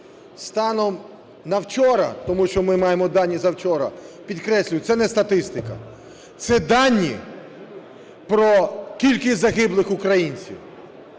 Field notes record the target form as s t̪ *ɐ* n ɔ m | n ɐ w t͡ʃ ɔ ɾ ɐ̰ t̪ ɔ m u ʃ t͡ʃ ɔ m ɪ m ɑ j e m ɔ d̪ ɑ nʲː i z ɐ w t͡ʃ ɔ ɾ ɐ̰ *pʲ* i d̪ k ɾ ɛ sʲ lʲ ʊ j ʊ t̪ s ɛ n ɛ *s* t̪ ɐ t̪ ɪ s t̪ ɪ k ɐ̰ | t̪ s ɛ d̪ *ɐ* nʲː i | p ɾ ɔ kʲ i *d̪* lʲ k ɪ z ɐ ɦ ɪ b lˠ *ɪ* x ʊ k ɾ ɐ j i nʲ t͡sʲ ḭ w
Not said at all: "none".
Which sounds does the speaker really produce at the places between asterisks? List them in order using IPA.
ɑ, pʲ, s, ɑ, none, ɪ

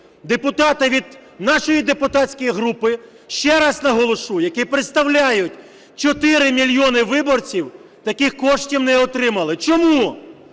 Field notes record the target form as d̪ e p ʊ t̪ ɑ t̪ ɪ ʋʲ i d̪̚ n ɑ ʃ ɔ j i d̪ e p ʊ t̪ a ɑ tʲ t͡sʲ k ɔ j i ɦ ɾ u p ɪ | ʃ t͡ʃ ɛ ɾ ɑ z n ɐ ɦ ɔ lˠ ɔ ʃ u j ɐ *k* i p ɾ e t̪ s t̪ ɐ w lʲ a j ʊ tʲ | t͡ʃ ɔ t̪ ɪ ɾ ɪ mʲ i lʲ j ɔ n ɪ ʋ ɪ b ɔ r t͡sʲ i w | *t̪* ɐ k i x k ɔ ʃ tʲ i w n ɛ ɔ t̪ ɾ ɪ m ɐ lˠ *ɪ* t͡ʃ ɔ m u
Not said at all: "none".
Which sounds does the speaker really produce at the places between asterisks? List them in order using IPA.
k, t̪, ɪ

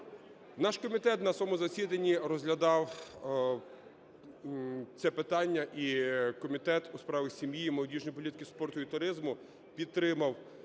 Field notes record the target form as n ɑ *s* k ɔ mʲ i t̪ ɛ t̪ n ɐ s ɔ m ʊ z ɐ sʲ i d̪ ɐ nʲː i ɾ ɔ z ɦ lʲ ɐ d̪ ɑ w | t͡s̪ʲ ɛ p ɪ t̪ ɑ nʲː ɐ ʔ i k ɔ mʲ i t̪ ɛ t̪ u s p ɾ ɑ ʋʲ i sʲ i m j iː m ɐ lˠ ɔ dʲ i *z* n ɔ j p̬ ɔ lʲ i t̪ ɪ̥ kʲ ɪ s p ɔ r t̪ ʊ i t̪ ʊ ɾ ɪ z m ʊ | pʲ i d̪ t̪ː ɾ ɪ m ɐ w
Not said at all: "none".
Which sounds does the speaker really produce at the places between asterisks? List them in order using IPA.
ʃ, ʒ

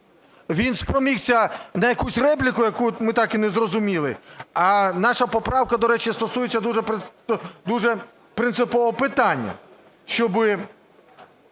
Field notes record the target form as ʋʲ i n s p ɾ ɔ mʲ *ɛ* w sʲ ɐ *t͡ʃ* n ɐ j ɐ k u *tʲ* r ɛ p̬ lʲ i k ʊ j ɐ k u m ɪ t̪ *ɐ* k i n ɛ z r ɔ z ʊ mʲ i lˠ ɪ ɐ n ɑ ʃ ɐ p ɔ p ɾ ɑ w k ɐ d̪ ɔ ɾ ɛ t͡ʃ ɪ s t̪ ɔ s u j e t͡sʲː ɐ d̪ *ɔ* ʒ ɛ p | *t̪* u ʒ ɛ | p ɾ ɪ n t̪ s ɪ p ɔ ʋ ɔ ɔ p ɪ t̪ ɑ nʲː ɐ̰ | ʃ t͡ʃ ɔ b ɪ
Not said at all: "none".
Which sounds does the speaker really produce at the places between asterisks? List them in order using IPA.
i, none, sʲ, ɑ, u, d̪

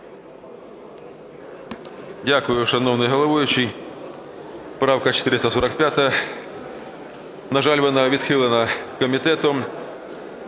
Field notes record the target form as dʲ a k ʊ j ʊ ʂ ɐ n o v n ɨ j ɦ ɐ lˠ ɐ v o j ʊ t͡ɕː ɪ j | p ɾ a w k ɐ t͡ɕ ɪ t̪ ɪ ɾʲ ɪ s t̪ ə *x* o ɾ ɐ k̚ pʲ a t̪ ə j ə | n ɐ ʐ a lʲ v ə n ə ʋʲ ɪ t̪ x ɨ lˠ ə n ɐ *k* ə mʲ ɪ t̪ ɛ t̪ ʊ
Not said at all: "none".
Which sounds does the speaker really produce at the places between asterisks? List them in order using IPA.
s, k

